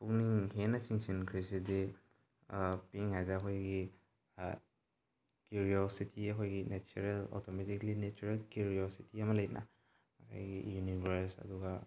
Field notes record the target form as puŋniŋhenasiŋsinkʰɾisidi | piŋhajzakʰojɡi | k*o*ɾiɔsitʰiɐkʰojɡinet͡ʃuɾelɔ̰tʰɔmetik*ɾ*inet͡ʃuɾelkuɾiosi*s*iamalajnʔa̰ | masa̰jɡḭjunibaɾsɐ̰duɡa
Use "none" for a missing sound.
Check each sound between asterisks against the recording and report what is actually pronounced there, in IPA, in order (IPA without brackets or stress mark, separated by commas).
u, l, t